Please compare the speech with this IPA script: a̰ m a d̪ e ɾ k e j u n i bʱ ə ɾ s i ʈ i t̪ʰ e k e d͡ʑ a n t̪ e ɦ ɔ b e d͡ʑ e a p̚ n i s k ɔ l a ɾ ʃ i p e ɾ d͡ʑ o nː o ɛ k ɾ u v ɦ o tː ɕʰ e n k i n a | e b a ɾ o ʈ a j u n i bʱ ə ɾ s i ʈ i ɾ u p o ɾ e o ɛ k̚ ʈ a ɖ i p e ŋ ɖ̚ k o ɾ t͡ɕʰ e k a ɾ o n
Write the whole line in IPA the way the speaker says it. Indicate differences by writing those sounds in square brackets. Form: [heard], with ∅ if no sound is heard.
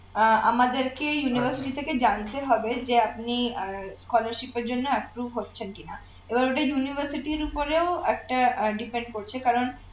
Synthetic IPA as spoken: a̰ m a d̪ e ɾ k e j u n i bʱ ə ɾ s i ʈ i t̪ʰ e k e d͡ʑ a n t̪ e ɦ ɔ b e d͡ʑ e a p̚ n i s k ɔ l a ɾ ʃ i p e ɾ d͡ʑ o nː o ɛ [p] ɾ u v ɦ o tː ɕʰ e n k i n a | e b a ɾ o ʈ a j u n i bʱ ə ɾ s i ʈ i ɾ u p o ɾ e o ɛ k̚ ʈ a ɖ i p e [ɳ] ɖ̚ k o ɾ t͡ɕʰ e k a ɾ o n